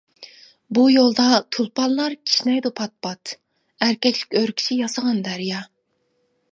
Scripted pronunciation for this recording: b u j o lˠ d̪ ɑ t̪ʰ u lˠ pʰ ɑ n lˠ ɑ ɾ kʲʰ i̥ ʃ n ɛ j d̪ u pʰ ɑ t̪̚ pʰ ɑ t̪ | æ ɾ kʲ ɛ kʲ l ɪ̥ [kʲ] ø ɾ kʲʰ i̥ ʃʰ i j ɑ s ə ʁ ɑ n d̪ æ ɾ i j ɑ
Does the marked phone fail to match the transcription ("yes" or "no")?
no